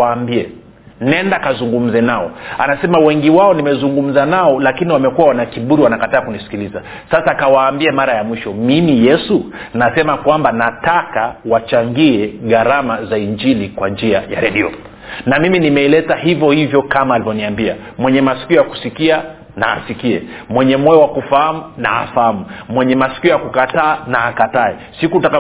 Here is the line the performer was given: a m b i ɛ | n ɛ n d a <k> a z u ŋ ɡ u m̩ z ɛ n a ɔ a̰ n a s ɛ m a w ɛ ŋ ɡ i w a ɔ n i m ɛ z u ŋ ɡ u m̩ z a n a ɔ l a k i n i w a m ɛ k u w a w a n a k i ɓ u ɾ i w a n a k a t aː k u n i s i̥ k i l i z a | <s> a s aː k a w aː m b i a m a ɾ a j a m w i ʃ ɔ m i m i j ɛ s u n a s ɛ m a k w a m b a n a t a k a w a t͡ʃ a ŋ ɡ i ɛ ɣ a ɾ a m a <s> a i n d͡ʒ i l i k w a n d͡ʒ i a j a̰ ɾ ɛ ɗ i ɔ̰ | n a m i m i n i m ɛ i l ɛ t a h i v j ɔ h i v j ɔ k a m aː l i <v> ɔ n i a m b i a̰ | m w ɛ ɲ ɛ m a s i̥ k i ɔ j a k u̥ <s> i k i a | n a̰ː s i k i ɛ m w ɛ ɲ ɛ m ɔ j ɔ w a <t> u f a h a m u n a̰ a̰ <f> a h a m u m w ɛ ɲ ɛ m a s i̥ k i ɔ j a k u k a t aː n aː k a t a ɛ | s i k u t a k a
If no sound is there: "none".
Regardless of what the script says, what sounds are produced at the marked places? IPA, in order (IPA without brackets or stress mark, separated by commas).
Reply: k, s, z, v, s, k, f